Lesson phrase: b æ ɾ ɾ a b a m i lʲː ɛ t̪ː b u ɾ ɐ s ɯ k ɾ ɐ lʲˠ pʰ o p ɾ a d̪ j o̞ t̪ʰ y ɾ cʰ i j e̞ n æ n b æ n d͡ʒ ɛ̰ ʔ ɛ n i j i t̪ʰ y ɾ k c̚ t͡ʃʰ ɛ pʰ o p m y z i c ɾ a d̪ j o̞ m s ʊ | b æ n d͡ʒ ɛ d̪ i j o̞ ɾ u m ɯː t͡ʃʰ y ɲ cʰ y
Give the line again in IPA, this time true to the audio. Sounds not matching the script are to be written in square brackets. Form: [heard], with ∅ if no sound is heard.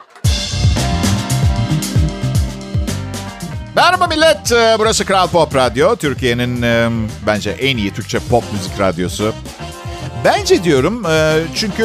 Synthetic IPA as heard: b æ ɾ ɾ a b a m i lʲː ɛ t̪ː b u ɾ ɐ s ɯ k ɾ [a] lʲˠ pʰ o p ɾ a d̪ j o̞ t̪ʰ y ɾ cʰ i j e̞ n [i] n b æ n d͡ʒ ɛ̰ ʔ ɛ n i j i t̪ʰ y ɾ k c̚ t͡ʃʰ ɛ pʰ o p m y z i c ɾ a d̪ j o̞ [∅] s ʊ | b æ n d͡ʒ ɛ d̪ i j o̞ ɾ u m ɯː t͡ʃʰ y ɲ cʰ y